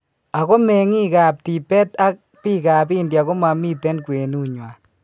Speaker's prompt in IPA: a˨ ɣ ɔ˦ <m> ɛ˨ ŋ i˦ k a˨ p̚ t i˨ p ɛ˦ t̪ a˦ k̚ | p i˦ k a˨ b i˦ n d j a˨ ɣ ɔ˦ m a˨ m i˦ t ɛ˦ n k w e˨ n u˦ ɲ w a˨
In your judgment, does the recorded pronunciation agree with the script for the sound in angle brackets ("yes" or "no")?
yes